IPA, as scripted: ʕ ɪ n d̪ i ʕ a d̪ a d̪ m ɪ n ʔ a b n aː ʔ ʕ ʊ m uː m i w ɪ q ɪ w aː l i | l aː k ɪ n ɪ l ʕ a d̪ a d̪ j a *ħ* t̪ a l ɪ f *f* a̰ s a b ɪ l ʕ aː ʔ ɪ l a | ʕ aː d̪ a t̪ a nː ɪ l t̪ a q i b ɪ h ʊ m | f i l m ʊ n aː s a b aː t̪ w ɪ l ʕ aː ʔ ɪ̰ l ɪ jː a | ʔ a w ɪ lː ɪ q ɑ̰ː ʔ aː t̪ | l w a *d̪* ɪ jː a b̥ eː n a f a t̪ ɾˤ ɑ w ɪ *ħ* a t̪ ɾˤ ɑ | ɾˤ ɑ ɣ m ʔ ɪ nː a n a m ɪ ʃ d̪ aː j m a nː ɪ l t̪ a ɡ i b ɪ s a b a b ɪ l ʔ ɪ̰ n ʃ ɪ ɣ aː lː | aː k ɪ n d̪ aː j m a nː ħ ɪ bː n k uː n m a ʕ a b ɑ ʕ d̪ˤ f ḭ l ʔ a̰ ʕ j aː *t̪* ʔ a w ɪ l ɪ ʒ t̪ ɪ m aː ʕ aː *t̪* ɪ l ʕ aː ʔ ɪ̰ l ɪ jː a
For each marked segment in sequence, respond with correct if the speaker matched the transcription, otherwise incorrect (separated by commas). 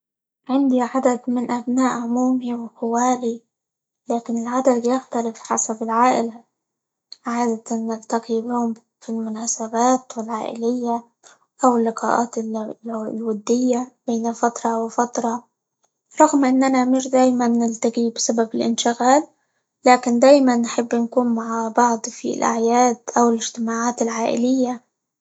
incorrect, incorrect, incorrect, incorrect, incorrect, correct